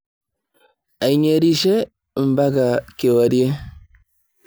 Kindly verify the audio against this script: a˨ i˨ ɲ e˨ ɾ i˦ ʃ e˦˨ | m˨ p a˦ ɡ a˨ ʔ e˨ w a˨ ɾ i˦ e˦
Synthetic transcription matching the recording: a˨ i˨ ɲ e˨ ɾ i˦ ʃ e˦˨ | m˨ b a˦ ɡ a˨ k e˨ w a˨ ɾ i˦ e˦